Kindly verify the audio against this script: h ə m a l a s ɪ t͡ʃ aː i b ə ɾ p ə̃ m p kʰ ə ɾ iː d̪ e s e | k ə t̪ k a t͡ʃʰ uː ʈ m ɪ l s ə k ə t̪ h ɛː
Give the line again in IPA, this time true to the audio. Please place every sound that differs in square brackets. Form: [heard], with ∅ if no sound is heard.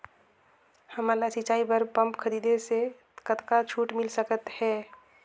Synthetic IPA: h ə m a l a s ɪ t͡ʃ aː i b ə ɾ p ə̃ m p kʰ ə ɾ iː d̪ e s e | k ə t̪ k a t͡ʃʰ uː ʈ m ɪ l s ə k ə t̪ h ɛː